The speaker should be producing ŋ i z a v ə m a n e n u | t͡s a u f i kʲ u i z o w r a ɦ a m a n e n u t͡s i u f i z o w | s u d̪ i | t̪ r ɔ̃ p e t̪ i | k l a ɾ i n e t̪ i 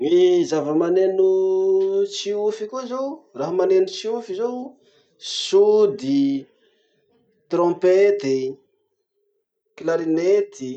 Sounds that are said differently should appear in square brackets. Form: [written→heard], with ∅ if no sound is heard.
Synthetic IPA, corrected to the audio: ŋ i z a v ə m a n e n u | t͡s [a→i] u f i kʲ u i z o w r a ɦ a m a n e n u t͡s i u f i z o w | s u d̪ i | t̪ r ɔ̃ p e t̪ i | k l a ɾ i n e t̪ i

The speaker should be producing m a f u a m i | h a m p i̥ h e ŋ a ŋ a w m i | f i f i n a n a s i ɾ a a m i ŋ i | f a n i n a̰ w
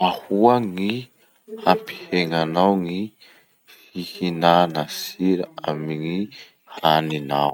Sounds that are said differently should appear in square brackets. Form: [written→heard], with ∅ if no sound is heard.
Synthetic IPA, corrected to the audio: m a [f→h] u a [m→ŋ] i | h a m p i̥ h e ŋ a [ŋ→n] a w [m→ŋ] i | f i [f→h] i n a n a s i ɾ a a m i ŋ i | [f→h] a n i n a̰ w

